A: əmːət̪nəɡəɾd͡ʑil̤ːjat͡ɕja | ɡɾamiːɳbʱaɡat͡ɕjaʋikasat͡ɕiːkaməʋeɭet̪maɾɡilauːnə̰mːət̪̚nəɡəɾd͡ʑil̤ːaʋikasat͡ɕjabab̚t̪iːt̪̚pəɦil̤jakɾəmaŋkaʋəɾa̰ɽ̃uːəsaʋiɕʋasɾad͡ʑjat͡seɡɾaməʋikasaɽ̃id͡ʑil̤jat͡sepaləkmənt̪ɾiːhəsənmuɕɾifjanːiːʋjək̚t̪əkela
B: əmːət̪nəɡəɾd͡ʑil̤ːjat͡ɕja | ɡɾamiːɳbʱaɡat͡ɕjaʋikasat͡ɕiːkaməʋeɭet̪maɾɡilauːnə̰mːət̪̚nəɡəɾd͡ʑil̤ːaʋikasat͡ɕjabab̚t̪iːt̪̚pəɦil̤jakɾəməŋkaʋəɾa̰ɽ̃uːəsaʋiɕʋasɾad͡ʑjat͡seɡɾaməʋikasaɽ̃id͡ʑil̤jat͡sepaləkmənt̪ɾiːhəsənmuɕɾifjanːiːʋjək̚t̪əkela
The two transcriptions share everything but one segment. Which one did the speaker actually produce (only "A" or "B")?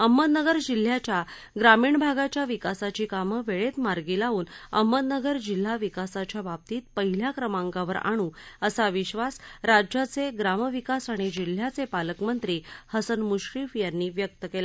A